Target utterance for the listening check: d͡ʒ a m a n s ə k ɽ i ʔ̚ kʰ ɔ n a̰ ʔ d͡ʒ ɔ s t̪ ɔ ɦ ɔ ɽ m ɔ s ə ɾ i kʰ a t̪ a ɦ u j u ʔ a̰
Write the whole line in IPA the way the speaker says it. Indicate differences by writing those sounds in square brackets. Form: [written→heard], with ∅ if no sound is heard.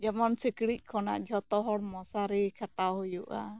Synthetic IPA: d͡ʒ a m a n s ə k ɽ i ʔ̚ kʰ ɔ n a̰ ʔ d͡ʒ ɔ [s→∅] t̪ ɔ ɦ ɔ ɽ m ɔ s [ə→a] ɾ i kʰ a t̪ a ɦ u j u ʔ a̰